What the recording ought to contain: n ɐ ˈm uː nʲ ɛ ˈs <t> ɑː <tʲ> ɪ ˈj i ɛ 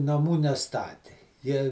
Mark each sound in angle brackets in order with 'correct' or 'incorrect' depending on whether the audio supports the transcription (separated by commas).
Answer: correct, correct